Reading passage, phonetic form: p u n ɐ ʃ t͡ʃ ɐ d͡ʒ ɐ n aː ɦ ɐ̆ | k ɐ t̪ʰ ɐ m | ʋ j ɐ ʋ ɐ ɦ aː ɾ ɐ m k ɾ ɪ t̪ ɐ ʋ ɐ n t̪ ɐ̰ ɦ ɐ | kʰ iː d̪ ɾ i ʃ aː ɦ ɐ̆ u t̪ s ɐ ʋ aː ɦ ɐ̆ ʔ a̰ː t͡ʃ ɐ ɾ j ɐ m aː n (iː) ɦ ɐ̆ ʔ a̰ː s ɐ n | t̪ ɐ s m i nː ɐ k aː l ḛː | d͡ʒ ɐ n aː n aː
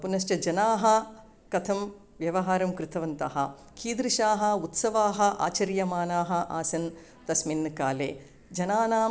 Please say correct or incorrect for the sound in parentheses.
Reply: incorrect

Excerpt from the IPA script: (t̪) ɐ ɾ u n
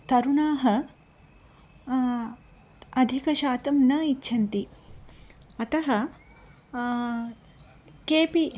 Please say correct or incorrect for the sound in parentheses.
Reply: correct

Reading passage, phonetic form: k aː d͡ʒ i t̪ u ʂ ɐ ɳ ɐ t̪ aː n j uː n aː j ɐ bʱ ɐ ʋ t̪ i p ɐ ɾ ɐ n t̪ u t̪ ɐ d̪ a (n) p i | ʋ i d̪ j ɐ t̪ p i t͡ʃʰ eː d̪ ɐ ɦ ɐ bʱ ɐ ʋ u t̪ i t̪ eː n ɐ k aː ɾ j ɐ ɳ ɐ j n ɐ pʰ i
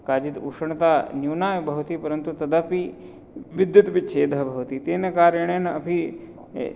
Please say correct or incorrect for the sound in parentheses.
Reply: incorrect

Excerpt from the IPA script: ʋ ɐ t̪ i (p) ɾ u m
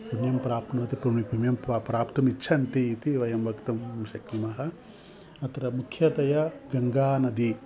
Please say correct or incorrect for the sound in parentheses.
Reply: correct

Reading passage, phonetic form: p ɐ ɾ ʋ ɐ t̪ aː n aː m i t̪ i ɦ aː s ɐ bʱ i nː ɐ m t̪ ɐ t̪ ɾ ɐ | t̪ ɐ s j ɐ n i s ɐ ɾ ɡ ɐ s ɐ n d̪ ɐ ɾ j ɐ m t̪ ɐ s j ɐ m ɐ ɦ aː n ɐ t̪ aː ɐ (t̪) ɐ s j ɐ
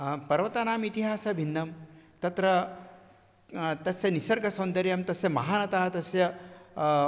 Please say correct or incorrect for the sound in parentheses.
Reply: correct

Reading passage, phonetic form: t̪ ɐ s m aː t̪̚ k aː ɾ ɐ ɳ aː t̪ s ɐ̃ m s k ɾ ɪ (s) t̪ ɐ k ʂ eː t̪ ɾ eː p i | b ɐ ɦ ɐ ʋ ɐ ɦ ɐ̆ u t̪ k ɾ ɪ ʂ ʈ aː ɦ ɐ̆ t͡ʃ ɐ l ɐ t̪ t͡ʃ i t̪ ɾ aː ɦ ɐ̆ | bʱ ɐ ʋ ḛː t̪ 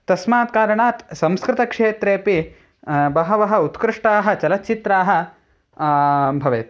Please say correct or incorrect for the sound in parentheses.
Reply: incorrect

